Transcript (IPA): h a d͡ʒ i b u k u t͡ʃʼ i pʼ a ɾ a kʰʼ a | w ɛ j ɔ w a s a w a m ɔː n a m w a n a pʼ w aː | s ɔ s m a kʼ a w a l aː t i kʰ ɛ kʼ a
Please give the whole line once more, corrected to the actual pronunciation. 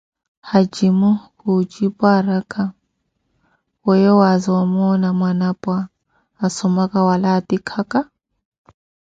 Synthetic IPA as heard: h a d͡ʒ i m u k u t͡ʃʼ i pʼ a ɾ a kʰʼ a | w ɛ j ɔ w a z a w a m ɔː n a m w a n a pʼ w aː | s ɔ m a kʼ a w a l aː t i kʰ a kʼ a